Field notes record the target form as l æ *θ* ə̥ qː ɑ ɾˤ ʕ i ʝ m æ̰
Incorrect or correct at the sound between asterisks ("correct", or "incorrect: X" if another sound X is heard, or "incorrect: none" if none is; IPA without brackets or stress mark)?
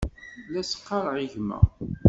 incorrect: s